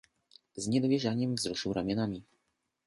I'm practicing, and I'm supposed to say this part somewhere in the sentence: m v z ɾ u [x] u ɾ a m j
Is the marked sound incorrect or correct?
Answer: incorrect